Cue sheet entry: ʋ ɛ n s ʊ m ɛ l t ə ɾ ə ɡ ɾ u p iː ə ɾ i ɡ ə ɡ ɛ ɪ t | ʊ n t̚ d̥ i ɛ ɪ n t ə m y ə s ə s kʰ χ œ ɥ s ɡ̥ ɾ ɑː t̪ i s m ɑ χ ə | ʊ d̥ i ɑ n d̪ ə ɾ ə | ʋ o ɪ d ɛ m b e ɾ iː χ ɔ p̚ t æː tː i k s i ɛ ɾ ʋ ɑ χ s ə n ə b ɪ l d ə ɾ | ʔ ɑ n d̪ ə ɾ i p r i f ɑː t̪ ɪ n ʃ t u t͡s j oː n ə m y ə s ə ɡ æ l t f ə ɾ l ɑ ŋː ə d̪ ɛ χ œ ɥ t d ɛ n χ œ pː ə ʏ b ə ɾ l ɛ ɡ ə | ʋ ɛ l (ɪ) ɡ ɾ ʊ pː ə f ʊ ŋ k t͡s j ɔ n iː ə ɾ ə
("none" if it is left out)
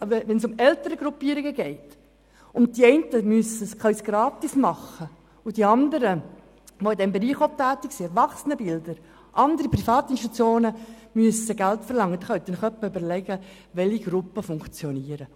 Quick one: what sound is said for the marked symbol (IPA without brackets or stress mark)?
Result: i